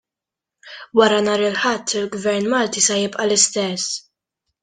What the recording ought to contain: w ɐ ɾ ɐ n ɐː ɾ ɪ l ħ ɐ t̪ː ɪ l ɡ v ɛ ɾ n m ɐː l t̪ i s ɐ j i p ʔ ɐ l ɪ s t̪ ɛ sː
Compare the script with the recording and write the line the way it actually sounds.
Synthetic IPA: w ɐ ɾ ɐ n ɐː ɾ ɪ l ħ ɐ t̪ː ɪ l ɡ v ɛ ɾ n m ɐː l t̪ i s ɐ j ɪ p ʔ ɐ l ɪ s t̪ ɛ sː

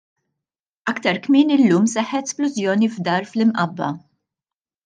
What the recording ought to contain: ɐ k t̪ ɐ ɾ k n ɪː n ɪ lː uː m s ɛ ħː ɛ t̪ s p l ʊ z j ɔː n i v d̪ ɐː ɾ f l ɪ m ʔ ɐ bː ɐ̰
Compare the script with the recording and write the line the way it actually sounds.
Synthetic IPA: ɐ k t̪ ɐ ɾ k m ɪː n ɪ lː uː m s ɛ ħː ɛ t̪ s p l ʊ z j ɔː n i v d̪ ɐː ɾ f l ɪ m ʔ ɐ bː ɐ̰

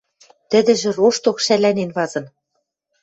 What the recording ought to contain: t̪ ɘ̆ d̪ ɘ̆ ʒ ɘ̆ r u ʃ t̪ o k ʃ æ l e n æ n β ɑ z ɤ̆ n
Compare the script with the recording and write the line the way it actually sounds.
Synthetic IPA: t̪ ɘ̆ d̪ ɘ̆ ʒ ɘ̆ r o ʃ t̪ o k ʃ æ l æ n e n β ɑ z ɤ̆ n

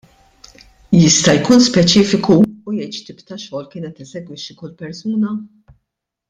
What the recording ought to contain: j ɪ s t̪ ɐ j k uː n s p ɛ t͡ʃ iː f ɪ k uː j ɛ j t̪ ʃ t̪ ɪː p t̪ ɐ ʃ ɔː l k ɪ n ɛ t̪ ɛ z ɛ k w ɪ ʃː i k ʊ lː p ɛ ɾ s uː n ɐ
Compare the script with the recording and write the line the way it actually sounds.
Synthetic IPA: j ɪ s t̪ ɐ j k uː n s p ɛ t͡ʃ iː f ɪ k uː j ɛ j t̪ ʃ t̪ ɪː p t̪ ɐ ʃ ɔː l k ɪː n ɛ t̪ ɛ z ɛ ɡ w ɪ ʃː i k ʊ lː p ɛ ɾ s uː n ɐ

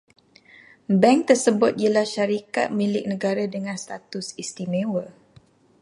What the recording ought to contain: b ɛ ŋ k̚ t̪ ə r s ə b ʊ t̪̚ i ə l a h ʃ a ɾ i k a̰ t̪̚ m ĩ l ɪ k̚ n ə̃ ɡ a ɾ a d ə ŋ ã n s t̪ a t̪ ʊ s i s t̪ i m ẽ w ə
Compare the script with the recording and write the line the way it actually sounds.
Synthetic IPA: b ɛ ŋ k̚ t̪ ə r s ə b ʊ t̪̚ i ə l a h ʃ a ɾ i k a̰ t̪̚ m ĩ l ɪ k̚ n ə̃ ɡ a ɾ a d ə ŋ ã n s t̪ a t̪ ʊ s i s t̪ i m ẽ w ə

